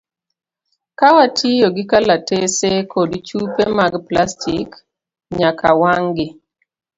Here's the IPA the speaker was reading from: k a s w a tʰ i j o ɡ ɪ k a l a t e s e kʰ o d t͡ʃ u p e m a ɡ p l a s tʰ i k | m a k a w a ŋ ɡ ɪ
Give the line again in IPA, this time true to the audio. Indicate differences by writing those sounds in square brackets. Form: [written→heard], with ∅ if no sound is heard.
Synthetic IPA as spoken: k a [s→∅] w a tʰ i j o ɡ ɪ k a l a t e s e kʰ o d t͡ʃ u p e m a ɡ p l a s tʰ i k | [m→ɲ] a k a w a ŋ ɡ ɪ